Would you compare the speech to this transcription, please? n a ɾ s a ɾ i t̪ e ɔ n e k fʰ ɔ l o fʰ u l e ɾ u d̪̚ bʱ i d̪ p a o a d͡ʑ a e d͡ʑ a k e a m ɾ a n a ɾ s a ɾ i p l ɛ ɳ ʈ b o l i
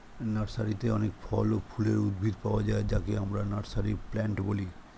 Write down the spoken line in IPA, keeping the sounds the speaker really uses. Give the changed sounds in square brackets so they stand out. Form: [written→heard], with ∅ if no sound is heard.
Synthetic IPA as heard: n a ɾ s a ɾ i t̪ e ɔ n e k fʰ ɔ l o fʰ u l e ɾ u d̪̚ bʱ i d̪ p a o a d͡ʑ a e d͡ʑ a k e a m ɾ a n a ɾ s a ɾ i p l ɛ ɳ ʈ b o l i